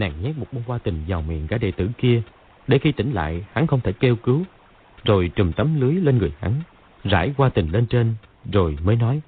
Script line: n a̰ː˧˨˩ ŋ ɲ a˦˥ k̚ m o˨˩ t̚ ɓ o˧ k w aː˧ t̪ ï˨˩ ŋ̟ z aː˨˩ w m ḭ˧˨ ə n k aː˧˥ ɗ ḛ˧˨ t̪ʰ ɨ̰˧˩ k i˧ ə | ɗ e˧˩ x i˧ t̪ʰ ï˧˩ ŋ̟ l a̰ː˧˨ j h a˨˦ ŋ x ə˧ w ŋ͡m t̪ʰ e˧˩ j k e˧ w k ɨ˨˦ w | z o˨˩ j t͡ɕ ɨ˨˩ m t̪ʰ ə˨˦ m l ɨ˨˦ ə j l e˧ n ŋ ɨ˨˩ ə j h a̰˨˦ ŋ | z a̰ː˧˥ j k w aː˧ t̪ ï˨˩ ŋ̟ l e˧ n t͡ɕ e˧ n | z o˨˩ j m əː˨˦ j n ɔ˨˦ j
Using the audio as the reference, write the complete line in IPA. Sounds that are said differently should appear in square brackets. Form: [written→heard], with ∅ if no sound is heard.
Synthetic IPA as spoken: n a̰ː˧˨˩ ŋ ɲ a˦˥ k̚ m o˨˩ t̚ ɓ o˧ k w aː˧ t̪ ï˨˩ ŋ̟ z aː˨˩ w m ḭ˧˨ ə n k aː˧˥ ɗ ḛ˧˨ [t̪ʰ→t̪] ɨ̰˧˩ k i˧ ə | ɗ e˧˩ x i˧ [t̪ʰ→t̪] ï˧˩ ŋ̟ l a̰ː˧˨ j h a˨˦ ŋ x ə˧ w ŋ͡m t̪ʰ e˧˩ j k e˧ w k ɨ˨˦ w | z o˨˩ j t͡ɕ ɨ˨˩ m [t̪ʰ→t̪] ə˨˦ m l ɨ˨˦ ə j l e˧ n ŋ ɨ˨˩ ə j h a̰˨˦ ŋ | z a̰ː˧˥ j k w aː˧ t̪ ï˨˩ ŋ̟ l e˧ n t͡ɕ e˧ n | z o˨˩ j m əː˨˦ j n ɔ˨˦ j